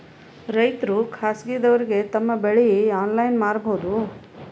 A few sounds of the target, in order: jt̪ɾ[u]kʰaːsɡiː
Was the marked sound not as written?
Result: no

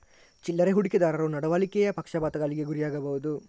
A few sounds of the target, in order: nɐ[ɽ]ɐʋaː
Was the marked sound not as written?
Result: no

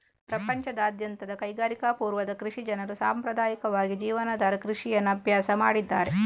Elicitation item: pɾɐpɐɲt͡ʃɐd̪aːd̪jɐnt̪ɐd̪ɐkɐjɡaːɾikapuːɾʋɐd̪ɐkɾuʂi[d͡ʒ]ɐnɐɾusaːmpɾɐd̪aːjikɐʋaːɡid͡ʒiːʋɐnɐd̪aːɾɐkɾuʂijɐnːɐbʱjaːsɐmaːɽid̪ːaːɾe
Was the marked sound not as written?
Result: no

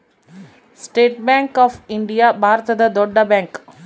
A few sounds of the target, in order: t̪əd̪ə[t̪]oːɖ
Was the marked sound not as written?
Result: yes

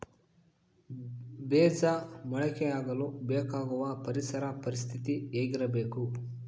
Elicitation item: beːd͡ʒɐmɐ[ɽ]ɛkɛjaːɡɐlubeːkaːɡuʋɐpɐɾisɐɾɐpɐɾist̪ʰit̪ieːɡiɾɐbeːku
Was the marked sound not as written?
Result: yes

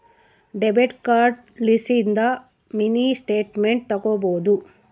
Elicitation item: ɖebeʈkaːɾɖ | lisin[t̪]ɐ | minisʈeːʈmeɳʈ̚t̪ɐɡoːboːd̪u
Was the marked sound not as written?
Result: yes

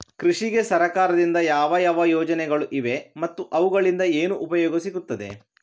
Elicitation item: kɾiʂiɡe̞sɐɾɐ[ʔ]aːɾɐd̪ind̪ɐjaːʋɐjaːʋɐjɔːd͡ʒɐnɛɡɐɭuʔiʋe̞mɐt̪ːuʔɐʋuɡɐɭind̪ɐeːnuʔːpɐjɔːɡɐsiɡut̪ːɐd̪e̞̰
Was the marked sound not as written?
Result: yes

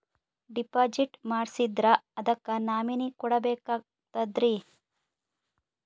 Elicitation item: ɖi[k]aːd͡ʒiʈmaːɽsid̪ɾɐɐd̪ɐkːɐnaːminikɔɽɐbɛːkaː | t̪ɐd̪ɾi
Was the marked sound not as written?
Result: yes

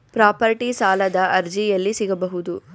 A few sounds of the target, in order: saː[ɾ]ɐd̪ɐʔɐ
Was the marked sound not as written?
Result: yes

